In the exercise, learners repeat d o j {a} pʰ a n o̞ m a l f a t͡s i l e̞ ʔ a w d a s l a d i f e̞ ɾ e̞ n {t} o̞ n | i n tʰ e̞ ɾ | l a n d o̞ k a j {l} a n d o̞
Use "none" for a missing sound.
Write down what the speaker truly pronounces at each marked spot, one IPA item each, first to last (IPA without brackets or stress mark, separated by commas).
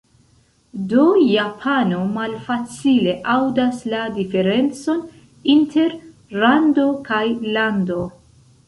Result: a, t͡s, l